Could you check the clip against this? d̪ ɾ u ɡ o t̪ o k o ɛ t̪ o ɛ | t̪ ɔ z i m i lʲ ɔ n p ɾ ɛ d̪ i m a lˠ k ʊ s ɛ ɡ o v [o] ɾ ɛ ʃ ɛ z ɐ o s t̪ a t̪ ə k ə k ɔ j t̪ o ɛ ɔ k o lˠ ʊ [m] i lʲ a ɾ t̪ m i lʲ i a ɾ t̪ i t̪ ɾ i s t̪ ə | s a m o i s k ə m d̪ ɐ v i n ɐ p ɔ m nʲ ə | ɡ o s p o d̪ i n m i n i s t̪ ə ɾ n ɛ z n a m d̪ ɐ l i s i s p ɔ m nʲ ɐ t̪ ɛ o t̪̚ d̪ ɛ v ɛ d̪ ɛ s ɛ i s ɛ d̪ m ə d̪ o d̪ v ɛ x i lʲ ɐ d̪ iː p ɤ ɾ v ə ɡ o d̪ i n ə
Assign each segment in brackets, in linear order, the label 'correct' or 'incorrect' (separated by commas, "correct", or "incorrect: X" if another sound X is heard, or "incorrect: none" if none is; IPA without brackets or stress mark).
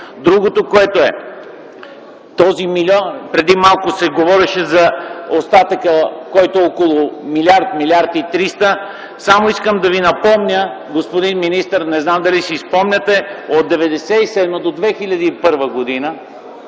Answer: incorrect: ɔ, correct